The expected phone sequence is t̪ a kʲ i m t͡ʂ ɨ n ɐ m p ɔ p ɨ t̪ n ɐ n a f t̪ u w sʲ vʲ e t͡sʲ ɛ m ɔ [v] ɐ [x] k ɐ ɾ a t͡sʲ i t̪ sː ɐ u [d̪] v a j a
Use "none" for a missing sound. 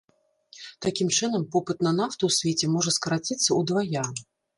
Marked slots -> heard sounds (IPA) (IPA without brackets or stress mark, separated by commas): ʐ, s, d̪